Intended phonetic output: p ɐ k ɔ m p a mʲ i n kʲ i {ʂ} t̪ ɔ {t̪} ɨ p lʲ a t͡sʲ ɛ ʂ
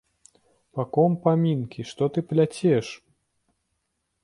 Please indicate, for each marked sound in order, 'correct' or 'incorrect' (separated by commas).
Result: correct, correct